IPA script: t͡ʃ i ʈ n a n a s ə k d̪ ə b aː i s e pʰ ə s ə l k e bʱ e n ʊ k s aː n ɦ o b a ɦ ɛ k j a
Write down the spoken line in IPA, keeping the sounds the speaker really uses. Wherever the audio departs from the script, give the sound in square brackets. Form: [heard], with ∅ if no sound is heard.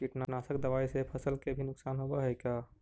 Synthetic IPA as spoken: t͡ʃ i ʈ n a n a s ə k d̪ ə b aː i s e pʰ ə s ə l k e bʱ [i] n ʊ k s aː n ɦ o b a ɦ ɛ k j a